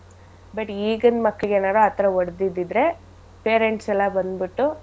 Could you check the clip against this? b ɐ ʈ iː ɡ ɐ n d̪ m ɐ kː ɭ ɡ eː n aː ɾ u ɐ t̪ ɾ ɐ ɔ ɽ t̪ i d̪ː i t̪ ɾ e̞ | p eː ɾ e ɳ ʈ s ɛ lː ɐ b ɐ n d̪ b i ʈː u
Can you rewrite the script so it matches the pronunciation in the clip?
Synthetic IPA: b ɐ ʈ iː ɡ ɐ n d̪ m ɐ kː ɭ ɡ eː n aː ɾ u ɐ t̪ ɾ ɐ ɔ ɽ d̪ i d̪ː i d̪ ɾ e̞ | p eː ɾ e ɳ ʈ s ɛ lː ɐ b ɐ n d̪ b i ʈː u

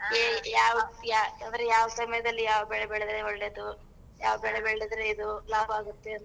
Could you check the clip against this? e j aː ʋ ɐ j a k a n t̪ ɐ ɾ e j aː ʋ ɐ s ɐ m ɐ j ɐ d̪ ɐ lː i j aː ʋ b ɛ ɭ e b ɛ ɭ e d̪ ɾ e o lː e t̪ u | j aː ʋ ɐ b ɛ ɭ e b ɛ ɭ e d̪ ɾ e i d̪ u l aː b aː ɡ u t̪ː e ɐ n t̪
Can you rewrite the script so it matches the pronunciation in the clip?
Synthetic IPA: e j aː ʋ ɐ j a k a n d̪ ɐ ɾ e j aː ʋ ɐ s ɐ m ɐ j ɐ d̪ ɐ lː i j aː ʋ b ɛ ɭ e b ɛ ɭ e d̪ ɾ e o ɭː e d̪ u | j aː ʋ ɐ b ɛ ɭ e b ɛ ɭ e d̪ ɾ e i d̪ u l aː b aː ɡ u t̪ː e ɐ n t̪

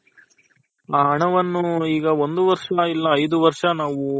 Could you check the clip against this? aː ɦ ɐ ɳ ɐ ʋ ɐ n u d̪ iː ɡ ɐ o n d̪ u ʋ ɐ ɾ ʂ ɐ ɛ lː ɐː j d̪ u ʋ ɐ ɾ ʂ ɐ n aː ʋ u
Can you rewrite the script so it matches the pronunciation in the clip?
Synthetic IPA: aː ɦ ɐ ɳ ɐ ʋ ɐ nː u iː ɡ ɐ o n d̪ u ʋ ɐ ɾ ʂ ɐ i lː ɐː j d̪ u ʋ ɐ ɾ ʂ ɐ n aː ʋ u

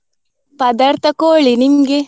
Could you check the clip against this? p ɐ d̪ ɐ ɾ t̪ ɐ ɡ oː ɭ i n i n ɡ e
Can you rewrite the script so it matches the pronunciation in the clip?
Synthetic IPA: p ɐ d̪ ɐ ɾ t̪ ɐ k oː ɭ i n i m ɡ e

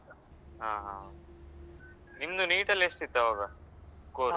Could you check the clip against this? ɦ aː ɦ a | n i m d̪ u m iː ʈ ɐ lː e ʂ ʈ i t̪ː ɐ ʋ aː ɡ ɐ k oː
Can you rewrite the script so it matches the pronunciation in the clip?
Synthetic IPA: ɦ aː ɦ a | n i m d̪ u n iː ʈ ɐ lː e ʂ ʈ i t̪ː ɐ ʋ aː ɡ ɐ k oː

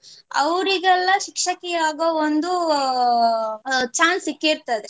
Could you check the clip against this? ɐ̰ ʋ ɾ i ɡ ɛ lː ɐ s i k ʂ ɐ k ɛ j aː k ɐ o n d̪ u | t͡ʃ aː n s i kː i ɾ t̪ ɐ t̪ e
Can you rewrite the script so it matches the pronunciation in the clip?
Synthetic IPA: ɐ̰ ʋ ɾ i ɡ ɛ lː ɐ ʃ i k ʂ ɐ k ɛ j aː ɡ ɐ o n d̪ u | t͡ʃ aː n s i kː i ɾ t̪ ɐ d̪ e

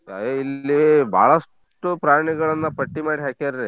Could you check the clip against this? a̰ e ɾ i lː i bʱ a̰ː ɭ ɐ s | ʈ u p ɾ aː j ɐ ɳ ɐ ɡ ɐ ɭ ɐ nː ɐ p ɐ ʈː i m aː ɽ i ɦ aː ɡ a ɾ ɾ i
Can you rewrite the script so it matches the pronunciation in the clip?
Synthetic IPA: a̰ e i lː i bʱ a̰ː ɭ ɐ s | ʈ u p ɾ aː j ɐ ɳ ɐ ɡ ɐ ɭ ɐ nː ɐ p ɐ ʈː i m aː ɽ i ɦ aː k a ɾ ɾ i

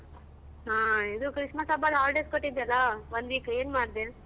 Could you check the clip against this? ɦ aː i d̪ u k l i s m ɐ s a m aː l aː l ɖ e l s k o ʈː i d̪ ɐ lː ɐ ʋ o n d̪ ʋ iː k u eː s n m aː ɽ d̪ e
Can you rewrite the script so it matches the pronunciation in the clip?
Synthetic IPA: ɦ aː i d̪ u k ɾ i ʂ m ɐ s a b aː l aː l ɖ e s k o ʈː i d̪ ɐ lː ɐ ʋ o n d̪ ʋ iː k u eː n m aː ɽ d̪ e

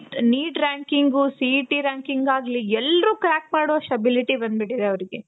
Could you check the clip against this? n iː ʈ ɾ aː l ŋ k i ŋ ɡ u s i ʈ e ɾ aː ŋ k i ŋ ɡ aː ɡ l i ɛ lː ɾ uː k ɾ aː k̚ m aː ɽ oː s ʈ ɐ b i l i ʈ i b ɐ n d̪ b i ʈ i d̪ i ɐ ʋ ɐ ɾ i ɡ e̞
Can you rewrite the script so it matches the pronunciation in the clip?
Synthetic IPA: n iː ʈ ɾ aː ŋ k i ŋ ɡ u s i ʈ i ɾ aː ŋ k i ŋ ɡ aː ɡ l i ɛ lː ɾ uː k ɾ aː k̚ m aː ɽ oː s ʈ ɐ b i l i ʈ i b ɐ n d̪ b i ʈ i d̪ e ɐ ʋ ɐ ɾ i ɡ e̞

